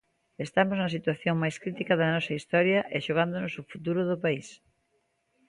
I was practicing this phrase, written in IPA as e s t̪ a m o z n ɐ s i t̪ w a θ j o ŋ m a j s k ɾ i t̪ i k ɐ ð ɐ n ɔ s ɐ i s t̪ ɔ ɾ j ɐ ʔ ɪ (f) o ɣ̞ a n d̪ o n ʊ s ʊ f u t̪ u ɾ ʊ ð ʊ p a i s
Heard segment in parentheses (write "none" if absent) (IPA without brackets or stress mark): ʃ